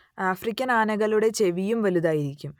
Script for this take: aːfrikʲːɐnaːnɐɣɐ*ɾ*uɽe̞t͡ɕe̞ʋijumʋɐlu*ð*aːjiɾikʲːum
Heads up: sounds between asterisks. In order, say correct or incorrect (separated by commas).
incorrect, correct